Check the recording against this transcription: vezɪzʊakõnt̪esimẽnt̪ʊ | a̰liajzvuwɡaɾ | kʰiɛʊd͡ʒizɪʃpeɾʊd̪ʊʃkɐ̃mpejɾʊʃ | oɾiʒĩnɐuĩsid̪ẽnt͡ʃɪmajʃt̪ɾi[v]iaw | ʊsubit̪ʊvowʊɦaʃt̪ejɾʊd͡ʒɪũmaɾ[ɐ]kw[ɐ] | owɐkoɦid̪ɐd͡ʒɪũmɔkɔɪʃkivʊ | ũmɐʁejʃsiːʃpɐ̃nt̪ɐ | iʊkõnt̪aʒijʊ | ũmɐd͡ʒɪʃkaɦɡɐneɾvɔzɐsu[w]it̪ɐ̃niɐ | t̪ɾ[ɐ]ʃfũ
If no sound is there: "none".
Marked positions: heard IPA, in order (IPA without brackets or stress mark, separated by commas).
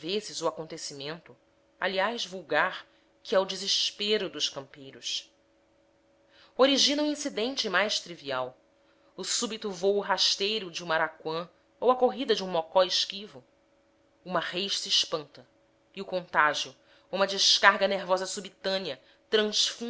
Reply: v, a, ɐ̃, b, ɐ̃